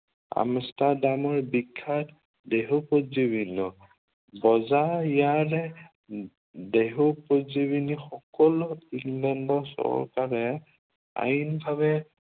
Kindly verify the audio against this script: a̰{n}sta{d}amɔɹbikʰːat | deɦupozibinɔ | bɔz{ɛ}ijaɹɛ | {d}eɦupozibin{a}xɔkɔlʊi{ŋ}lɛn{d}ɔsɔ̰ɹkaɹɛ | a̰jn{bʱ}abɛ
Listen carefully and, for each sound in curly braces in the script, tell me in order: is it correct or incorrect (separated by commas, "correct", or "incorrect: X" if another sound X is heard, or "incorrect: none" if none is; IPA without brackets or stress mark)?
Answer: incorrect: m, correct, incorrect: a, correct, incorrect: i, correct, correct, correct